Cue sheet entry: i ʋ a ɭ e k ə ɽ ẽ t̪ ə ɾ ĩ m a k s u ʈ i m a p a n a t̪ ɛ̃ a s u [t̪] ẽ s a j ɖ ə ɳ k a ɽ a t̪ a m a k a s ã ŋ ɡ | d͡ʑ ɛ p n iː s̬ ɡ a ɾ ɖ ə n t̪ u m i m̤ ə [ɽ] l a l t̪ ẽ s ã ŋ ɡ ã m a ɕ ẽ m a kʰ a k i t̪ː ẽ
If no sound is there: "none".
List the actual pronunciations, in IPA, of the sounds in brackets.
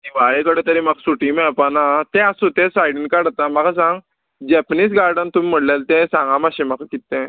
t̪, ɽ

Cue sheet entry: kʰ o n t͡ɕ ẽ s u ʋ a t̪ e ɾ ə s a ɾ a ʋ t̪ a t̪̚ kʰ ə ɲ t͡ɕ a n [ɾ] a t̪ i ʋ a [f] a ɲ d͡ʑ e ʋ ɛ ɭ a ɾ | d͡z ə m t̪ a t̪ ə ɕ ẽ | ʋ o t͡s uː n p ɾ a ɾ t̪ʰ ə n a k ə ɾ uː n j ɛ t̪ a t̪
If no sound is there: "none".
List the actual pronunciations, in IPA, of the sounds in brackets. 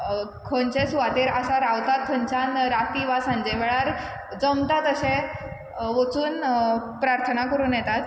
ɾ, s

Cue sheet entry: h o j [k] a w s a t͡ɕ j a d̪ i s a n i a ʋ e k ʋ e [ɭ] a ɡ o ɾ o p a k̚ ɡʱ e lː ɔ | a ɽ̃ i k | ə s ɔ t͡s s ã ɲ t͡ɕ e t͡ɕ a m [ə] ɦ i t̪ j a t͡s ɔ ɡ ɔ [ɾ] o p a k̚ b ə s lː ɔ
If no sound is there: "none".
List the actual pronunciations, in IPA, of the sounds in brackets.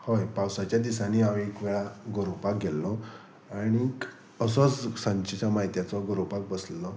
p, ɭ, a, ɾ

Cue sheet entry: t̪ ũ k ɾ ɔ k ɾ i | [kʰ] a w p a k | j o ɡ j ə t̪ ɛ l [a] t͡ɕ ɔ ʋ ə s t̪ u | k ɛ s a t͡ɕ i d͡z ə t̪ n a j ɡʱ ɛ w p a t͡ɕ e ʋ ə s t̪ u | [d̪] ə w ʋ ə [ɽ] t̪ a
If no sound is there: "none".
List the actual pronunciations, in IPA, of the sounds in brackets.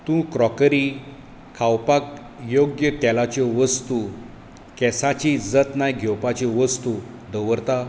kʰ, a, d̪, ɾ

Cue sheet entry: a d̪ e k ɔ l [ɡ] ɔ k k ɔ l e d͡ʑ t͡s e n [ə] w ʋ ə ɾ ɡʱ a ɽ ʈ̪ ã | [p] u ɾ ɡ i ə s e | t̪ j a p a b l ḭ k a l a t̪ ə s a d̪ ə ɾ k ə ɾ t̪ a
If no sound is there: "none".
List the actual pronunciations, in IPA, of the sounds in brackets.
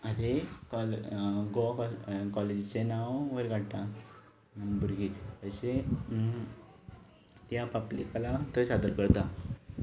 ɡ, a, b

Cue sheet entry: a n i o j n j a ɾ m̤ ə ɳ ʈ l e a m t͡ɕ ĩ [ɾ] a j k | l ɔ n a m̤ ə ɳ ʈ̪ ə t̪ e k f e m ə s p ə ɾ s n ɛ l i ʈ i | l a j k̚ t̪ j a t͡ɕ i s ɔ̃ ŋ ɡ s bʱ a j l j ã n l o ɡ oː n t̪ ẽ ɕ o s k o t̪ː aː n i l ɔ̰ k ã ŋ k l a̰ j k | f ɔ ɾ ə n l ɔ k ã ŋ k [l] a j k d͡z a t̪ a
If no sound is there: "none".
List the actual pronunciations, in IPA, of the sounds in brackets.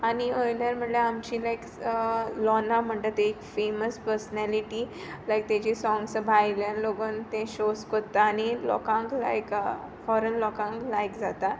l, l

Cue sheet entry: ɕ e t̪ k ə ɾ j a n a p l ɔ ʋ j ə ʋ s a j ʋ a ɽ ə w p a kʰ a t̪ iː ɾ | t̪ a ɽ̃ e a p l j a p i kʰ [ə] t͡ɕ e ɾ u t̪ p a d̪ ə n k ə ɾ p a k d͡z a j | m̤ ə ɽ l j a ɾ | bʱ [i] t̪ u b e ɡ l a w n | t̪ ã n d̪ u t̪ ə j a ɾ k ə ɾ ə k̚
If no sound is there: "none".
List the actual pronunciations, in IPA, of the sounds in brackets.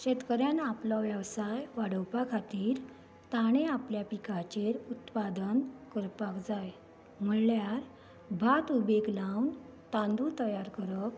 a, a

